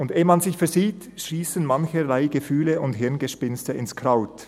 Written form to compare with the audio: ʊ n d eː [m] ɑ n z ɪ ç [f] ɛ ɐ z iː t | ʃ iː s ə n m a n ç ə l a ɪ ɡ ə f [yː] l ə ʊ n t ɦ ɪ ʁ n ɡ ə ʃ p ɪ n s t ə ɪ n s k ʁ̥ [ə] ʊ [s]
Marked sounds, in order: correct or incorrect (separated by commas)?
correct, correct, correct, incorrect, incorrect